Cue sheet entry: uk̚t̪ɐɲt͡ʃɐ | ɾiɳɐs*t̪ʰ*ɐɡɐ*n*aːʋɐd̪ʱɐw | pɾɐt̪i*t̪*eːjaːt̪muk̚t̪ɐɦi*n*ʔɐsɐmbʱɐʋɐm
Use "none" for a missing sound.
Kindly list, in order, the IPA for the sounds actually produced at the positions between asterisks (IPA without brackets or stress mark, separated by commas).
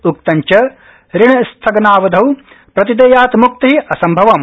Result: t̪ʰ, n, d̪, none